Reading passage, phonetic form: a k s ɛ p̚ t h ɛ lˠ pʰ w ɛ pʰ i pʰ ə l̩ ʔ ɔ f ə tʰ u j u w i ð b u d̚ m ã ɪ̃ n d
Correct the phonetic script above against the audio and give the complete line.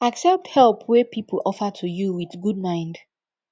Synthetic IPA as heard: a k s ɛ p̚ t h ɛ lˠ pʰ w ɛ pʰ i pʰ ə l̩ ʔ ɔ f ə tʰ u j u w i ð ɡ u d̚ m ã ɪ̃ n d